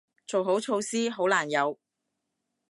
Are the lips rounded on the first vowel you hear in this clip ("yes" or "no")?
yes